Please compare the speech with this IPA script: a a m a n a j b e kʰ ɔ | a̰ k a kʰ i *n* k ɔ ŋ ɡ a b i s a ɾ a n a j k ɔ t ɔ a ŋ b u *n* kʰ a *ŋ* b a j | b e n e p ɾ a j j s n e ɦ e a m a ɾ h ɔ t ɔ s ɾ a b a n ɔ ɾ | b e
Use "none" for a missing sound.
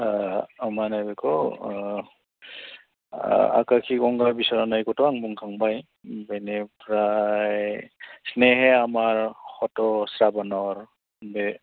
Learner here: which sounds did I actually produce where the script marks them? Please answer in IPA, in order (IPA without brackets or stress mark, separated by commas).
none, ŋ, ŋ